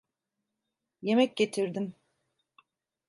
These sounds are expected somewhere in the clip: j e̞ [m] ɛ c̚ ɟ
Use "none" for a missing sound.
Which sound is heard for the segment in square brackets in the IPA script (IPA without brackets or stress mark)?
m